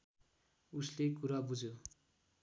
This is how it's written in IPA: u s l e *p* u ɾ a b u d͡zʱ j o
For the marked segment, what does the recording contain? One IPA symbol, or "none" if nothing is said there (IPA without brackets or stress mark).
k